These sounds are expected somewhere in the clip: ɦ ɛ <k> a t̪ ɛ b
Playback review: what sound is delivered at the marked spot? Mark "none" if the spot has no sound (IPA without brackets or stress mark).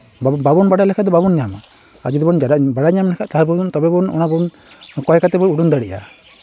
k